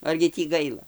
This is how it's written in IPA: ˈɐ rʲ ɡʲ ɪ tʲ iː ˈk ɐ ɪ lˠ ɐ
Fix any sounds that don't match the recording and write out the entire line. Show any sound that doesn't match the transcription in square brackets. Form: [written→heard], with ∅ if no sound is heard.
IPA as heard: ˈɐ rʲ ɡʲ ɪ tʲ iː [ˈk→ˈɡ] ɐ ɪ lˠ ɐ